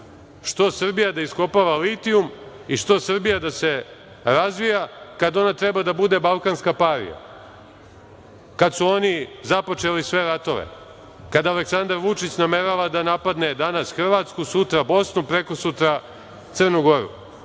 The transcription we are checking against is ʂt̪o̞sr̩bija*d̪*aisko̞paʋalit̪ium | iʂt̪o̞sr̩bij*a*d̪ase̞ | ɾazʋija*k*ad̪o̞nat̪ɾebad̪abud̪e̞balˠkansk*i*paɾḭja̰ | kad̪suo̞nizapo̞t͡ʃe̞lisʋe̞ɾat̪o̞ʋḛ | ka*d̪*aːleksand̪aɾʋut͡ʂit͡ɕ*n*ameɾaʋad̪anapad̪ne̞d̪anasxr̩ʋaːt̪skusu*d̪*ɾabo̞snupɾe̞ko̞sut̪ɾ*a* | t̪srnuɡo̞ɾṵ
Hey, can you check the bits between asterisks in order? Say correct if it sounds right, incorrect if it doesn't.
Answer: correct, correct, correct, incorrect, correct, correct, incorrect, correct

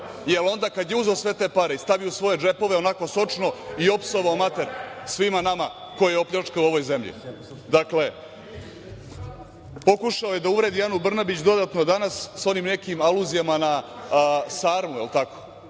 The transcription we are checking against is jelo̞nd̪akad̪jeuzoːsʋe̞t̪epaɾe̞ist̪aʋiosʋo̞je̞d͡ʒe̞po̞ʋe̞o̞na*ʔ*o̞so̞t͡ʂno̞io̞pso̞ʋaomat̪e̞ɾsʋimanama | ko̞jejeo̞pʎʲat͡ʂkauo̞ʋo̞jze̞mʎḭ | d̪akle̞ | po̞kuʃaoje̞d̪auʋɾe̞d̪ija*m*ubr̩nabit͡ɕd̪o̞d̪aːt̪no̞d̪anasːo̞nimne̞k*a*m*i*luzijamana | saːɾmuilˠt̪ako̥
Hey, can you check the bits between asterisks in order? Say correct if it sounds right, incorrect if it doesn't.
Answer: incorrect, incorrect, incorrect, incorrect

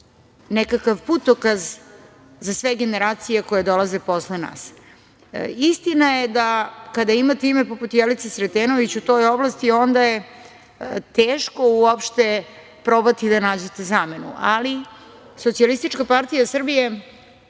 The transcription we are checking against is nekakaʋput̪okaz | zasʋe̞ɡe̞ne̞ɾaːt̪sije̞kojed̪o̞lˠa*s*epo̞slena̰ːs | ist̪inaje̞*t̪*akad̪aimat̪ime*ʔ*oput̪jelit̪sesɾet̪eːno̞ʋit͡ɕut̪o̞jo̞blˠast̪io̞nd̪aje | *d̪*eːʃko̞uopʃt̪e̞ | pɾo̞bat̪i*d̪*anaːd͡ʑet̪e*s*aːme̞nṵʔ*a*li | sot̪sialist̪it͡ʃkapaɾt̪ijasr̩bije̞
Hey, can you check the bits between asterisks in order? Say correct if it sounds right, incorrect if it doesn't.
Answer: incorrect, incorrect, incorrect, incorrect, correct, incorrect, correct

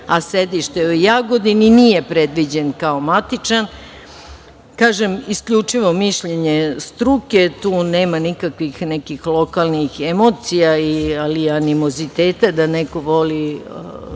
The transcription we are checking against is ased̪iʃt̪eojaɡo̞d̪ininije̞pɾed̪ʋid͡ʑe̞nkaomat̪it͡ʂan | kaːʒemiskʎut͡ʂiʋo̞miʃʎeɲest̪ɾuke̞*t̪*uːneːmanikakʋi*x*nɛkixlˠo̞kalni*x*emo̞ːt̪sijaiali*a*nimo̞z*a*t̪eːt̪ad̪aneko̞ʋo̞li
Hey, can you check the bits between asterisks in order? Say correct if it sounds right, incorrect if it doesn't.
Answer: correct, correct, correct, correct, incorrect

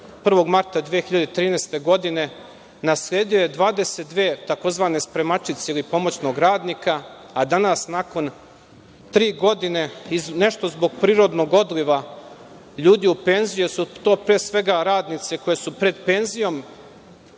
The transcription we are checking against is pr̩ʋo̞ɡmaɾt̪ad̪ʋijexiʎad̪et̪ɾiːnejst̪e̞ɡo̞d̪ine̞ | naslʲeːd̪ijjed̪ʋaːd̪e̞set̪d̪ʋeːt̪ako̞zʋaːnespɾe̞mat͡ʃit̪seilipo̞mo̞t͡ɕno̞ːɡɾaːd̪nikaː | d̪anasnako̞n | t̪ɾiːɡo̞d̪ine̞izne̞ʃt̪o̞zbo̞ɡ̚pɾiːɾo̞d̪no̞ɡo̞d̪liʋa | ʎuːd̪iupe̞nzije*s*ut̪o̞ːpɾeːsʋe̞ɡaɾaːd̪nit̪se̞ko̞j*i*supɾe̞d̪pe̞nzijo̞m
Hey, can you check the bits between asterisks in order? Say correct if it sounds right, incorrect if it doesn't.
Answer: correct, incorrect

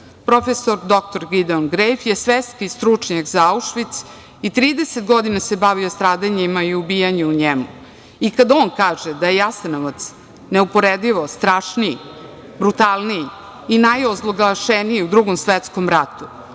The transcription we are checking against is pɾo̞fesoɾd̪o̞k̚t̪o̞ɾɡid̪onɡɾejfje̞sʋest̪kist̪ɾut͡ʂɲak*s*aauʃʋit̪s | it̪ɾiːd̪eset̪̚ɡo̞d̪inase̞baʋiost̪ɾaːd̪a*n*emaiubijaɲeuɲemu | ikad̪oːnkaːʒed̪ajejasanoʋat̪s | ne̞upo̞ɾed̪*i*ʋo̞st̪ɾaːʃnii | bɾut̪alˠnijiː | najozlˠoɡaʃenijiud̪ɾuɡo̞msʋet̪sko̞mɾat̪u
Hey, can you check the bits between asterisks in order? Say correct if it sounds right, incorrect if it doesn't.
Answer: incorrect, incorrect, correct

